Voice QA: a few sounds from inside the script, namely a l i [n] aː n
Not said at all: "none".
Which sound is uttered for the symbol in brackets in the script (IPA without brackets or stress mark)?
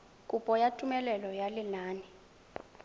n